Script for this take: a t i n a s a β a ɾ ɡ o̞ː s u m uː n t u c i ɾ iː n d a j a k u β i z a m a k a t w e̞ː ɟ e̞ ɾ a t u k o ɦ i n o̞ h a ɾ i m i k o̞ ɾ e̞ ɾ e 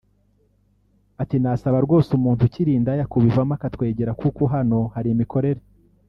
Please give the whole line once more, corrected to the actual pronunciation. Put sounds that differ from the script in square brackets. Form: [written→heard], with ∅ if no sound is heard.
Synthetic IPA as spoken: a t i n a s a β a ɾ ɡ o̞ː s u m uː n t u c i ɾ iː n d a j a k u β i [z→v] a m a k a t w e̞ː ɟ e̞ ɾ a [t→k] u k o ɦ [i→a] n o̞ h a ɾ i m i k o̞ ɾ e̞ ɾ e